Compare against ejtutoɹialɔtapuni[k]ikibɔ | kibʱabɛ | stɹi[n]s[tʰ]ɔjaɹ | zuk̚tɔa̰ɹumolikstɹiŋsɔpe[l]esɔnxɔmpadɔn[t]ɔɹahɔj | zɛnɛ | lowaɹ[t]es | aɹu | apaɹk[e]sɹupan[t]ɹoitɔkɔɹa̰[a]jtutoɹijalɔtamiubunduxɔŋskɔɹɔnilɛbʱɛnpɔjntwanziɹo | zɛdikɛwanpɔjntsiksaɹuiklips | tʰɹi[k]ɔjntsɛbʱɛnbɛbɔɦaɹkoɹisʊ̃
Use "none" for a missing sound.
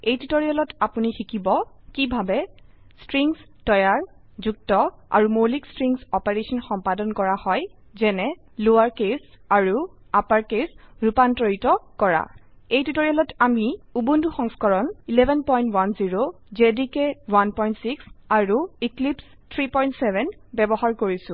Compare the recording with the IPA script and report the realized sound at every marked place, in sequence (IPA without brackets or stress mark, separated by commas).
x, ŋ, t, ɹ, k, k, e, t, e, p